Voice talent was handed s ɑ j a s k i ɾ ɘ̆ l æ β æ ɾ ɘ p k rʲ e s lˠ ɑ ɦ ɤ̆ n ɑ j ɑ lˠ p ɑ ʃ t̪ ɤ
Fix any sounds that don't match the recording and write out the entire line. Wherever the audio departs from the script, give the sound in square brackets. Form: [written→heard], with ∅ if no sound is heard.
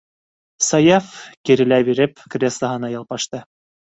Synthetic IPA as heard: s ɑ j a [s→f] k i ɾ ɘ̆ l æ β [æ→i] ɾ ɘ p k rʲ e s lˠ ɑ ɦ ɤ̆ n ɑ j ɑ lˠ p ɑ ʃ t̪ ɤ